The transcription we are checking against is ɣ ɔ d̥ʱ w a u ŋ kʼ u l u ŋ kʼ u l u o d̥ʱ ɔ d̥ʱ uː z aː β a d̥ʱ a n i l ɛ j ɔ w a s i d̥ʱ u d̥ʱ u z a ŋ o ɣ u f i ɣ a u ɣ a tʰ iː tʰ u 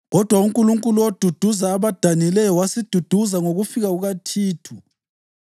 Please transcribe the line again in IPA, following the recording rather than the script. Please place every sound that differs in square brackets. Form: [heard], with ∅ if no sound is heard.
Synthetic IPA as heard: ɣ ɔ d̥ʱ w a u ŋ kʼ u l u ŋ kʼ u l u o d̥ʱ [u] d̥ʱ [u] z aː β a d̥ʱ a n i l ɛ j ɔ w a s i d̥ʱ u d̥ʱ u z a ŋ o ɣ u f i ɣ a u ɣ a tʰ iː tʰ u